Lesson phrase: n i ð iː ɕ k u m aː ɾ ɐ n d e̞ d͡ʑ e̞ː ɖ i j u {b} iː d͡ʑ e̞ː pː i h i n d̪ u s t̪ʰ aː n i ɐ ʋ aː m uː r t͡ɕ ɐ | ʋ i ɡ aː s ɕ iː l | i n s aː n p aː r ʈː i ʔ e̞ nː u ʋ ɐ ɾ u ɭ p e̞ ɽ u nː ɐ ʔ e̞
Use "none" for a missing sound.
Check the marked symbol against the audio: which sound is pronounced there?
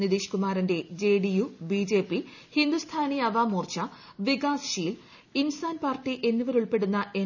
b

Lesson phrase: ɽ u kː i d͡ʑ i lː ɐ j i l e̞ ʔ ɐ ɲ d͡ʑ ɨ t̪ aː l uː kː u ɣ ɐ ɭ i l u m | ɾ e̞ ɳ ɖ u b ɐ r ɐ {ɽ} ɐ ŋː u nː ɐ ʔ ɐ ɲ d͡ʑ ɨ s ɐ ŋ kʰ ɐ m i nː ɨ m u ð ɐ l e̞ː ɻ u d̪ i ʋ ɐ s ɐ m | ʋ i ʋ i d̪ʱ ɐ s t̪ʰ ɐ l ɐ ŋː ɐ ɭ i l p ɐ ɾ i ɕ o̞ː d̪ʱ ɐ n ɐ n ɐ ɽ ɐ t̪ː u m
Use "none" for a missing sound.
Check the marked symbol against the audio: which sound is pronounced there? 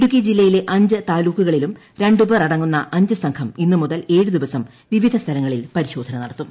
ɽ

